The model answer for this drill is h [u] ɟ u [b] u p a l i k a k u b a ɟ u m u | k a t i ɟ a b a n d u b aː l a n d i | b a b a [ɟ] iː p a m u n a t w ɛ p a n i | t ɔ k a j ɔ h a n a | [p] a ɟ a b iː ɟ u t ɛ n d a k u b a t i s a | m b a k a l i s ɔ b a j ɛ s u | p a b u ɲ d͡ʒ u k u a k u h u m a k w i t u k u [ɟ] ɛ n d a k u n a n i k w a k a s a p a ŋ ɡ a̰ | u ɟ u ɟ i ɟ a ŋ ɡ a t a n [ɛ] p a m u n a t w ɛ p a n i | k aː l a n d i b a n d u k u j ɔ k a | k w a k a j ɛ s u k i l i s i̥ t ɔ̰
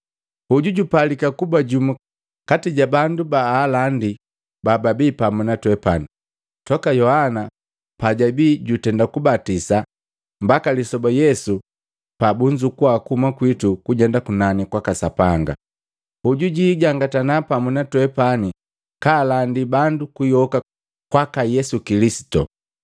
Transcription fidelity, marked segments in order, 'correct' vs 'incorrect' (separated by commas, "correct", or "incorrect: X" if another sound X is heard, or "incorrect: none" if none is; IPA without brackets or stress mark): correct, incorrect: ɟ, incorrect: b, correct, correct, incorrect: a